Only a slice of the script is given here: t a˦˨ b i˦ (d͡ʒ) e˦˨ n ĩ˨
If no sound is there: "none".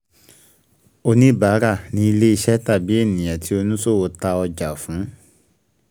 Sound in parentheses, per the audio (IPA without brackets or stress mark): none